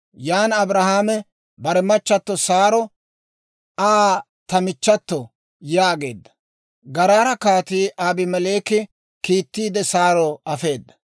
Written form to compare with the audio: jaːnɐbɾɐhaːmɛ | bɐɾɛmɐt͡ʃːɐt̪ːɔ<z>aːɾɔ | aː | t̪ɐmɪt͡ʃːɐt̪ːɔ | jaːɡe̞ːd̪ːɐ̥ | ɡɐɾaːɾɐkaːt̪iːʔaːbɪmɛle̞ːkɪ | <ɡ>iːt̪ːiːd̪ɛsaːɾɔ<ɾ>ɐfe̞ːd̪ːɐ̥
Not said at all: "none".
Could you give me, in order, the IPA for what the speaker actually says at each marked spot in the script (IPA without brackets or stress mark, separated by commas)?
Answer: s, k, none